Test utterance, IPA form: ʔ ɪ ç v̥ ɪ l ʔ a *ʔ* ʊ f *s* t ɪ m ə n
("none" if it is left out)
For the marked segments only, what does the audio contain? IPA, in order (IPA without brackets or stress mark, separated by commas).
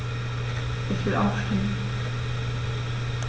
none, ʃ